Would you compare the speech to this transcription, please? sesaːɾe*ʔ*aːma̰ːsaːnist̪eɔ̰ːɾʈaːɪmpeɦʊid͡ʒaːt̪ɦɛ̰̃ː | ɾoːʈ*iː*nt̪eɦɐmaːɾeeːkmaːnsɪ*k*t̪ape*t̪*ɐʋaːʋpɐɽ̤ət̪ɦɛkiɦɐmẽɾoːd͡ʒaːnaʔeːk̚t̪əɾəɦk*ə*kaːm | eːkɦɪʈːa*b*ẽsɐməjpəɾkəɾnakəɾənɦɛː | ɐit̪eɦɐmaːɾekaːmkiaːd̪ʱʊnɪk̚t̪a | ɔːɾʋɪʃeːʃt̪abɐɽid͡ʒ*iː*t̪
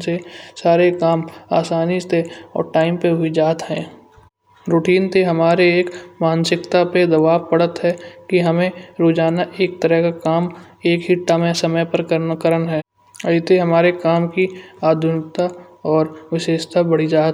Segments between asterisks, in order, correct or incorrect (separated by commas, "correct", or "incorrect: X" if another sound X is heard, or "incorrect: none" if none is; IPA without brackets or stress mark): incorrect: k, correct, correct, incorrect: d̪, incorrect: a, incorrect: m, incorrect: aː